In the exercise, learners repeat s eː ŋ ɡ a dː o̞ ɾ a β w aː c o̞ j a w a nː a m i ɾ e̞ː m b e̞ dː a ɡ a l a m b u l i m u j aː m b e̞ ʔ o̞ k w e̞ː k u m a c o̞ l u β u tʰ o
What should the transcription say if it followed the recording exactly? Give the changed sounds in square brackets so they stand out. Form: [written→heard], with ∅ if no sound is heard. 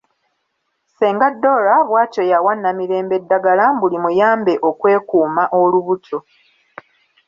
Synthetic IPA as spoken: s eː ŋ ɡ a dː o̞ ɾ a β w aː c o̞ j a w a nː a m i ɾ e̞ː m b e̞ dː a ɡ a l a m b u l i m u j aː m b e̞ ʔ o̞ k w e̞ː k [u→uː] m a [c→ʔ] o̞ l u β u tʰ o